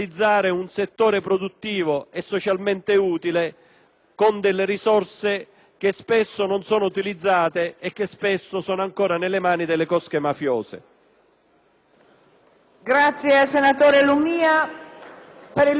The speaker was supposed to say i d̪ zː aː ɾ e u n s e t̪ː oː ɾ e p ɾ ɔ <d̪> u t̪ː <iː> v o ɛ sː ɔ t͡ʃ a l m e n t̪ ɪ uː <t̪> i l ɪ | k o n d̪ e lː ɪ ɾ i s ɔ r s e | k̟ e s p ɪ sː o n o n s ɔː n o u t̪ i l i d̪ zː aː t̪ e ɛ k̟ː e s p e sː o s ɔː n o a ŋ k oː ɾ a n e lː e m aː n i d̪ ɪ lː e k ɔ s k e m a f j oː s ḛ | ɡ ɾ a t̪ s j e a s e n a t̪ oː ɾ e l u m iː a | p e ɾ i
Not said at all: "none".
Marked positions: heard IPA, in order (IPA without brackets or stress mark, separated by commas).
d̪, iː, t̪